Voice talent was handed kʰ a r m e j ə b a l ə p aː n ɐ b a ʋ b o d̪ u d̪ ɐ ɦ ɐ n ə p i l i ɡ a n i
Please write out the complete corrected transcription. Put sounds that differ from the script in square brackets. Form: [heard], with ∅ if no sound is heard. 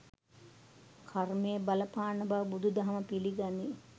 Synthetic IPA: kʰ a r m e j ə b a l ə p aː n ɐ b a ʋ b [u] d̪ u d̪ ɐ ɦ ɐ [m] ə p i l i ɡ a n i

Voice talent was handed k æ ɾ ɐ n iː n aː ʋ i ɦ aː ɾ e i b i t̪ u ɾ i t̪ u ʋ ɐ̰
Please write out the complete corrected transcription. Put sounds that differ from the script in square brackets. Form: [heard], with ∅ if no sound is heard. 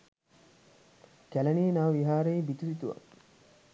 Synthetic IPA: k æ [l] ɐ n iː n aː ʋ i ɦ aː ɾ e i b i t̪ u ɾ i t̪ u ʋ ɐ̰

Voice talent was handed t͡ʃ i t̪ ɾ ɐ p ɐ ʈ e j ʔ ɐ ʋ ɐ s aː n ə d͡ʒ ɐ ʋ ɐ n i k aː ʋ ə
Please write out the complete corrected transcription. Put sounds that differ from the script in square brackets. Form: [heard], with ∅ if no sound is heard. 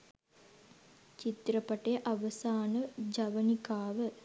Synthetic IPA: t͡ʃ i t̪ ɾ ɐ p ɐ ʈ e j ʔ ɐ ʋ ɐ s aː n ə d͡ʒ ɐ ʋ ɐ n i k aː ʋ ə

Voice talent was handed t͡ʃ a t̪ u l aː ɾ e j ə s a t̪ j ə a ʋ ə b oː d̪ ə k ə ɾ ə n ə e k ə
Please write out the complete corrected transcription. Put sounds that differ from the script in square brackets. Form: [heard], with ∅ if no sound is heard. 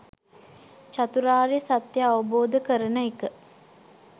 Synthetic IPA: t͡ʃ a t̪ u [ɾ] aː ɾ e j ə s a t̪ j ə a ʋ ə b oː d̪ ə k ə ɾ ə n ə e k ə

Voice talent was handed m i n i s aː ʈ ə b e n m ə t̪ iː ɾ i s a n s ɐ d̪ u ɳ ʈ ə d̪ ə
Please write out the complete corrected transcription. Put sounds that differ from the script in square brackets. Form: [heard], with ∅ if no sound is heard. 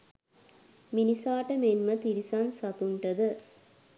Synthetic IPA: m i n i s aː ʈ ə [m] e n m ə t̪ [i] ɾ i s a n s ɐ [t̪] u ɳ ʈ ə d̪ ə

